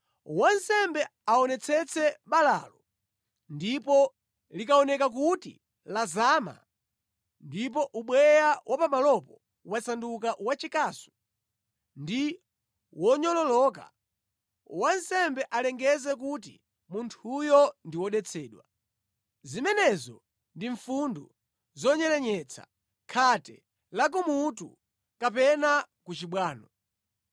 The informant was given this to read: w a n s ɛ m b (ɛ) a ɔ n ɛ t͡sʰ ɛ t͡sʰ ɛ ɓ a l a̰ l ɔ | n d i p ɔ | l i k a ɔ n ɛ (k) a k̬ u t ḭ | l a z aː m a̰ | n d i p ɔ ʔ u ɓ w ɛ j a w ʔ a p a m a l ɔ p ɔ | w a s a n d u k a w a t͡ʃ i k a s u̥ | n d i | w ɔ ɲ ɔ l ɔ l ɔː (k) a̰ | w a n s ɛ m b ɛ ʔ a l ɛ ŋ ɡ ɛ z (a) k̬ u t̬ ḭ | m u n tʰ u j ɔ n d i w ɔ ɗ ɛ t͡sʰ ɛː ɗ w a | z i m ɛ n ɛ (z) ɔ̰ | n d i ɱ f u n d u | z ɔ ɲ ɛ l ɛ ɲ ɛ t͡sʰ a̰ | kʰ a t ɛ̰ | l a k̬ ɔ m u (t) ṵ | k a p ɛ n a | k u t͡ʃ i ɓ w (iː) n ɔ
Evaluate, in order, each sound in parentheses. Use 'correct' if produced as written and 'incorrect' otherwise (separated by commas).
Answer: correct, correct, correct, incorrect, correct, correct, incorrect